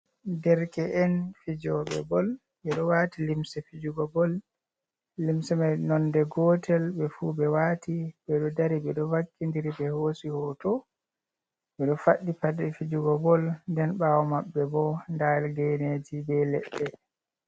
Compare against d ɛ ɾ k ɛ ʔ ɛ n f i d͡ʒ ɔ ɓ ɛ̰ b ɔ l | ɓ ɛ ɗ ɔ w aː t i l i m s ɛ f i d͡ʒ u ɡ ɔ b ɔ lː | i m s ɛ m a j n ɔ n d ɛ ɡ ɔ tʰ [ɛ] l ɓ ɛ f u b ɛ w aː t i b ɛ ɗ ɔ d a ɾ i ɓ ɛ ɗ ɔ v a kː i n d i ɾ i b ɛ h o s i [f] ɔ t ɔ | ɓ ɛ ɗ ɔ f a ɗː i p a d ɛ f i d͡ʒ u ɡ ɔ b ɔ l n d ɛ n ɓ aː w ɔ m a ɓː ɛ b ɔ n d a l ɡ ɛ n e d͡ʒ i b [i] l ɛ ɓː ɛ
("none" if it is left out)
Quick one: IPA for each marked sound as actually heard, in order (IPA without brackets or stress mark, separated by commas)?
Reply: ɛ, h, ɛ